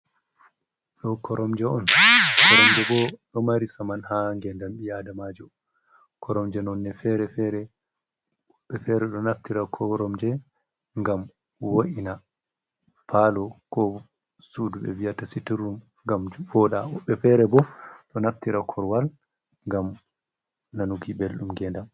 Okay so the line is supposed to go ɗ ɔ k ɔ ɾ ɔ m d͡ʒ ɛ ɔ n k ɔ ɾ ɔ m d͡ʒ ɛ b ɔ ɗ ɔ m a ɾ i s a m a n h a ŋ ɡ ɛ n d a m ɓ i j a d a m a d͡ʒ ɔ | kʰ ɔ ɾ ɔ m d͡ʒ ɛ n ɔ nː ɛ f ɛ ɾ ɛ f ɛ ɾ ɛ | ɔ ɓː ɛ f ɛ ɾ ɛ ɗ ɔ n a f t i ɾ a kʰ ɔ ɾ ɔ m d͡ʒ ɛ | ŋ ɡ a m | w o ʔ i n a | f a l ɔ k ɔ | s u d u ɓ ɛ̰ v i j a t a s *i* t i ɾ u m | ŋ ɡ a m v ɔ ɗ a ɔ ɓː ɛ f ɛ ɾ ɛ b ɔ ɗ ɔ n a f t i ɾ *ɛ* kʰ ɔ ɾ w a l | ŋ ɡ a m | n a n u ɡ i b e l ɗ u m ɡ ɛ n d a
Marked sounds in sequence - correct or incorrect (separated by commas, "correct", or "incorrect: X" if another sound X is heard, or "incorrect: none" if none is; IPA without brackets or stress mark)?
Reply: correct, incorrect: a